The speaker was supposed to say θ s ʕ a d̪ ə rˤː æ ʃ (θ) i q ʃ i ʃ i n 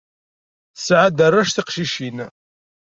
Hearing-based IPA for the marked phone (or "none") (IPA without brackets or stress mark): θ